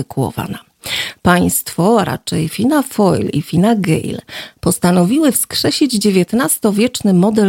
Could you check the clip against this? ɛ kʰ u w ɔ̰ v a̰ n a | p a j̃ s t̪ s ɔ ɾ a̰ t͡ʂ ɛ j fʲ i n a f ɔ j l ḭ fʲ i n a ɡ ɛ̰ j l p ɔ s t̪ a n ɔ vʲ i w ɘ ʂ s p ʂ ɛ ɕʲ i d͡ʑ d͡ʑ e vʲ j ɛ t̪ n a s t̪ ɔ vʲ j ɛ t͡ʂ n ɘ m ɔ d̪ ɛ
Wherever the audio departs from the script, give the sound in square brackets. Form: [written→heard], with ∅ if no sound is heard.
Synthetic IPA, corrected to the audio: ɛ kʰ u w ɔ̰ v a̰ n a | p a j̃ s t̪ [s→f] ɔ ɾ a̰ t͡ʂ ɛ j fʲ i n a f ɔ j l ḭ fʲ i n a ɡ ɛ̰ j l p ɔ s t̪ a n ɔ vʲ i w ɘ [ʂ→f] s [p→k] ʂ ɛ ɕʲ i d͡ʑ d͡ʑ e vʲ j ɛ t̪ n a s t̪ ɔ vʲ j ɛ t͡ʂ n ɘ m ɔ d̪ ɛ